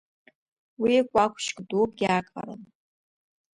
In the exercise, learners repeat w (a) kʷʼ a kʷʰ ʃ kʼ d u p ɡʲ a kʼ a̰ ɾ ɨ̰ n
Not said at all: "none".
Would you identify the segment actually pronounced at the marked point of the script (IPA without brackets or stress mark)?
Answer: i